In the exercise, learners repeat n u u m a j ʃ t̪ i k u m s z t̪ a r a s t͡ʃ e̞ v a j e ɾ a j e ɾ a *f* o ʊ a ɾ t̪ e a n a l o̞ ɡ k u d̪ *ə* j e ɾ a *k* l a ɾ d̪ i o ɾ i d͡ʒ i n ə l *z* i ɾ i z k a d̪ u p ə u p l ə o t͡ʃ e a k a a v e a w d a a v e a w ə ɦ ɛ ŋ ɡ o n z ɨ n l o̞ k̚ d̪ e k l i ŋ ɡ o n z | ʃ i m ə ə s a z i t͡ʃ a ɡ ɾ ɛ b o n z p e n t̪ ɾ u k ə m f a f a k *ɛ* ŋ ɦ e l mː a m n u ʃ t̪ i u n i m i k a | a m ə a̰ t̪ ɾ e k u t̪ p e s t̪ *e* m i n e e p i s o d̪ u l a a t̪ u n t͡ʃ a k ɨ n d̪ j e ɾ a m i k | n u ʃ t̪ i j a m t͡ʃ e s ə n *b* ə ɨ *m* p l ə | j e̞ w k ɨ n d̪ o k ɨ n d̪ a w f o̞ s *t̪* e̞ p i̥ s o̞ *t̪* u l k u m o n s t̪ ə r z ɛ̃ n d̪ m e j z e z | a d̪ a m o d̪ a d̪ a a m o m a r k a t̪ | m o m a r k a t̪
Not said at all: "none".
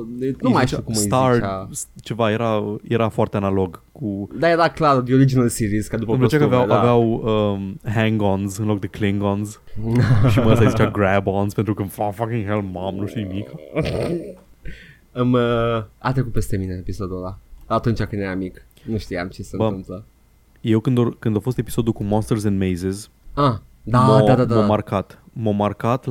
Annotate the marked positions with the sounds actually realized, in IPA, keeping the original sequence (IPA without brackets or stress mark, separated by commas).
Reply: f, a, k, s, i, e, b, m, t̪, d̪